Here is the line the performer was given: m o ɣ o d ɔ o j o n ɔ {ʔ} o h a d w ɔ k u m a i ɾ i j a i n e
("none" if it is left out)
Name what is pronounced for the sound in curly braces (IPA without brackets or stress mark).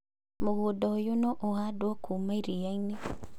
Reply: ʔ